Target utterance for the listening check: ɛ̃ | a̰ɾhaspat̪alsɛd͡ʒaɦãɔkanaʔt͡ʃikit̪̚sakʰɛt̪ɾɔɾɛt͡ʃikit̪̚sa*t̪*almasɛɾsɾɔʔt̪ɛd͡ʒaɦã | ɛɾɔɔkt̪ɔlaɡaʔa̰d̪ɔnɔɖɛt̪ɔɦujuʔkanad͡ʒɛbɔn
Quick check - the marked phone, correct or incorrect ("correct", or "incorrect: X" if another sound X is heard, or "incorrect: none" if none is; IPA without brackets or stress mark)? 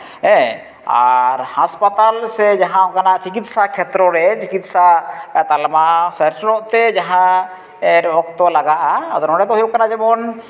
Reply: correct